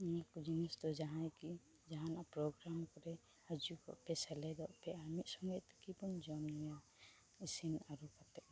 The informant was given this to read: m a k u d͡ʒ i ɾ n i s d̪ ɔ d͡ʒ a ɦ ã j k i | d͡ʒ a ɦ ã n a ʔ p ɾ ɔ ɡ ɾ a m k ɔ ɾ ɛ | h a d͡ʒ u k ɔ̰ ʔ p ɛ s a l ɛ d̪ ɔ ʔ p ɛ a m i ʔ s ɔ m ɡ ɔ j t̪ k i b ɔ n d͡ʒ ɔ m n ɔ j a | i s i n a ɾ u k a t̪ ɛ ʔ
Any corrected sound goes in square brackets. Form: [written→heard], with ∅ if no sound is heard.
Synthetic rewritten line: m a k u d͡ʒ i [ɾ→∅] n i s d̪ ɔ d͡ʒ a ɦ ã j k i | d͡ʒ a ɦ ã n a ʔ p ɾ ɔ ɡ ɾ a m k ɔ ɾ ɛ | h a d͡ʒ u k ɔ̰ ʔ p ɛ s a l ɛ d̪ ɔ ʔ p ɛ a m i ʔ s ɔ [m→ŋ] ɡ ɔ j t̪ k i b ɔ n d͡ʒ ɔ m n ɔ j a | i s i n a ɾ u k a t̪ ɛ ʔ